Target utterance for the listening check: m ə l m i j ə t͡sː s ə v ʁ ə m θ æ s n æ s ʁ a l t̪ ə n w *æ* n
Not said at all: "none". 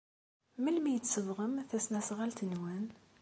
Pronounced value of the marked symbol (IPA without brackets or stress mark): æ